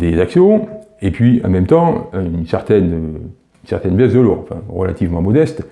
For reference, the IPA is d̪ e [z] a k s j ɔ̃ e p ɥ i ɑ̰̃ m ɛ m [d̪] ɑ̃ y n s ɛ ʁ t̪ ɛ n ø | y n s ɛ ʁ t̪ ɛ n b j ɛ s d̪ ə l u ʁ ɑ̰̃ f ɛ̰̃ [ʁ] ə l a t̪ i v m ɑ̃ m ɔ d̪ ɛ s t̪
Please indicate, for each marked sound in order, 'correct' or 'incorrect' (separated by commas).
correct, incorrect, correct